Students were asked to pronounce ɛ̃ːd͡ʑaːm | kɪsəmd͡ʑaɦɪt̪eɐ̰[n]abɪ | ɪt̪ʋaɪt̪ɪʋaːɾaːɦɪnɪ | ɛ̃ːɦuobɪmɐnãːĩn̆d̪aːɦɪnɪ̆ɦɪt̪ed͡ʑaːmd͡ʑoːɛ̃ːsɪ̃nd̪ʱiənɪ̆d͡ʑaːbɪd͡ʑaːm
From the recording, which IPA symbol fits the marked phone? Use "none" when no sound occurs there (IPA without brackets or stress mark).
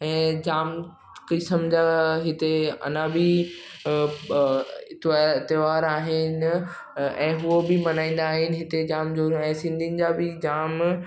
n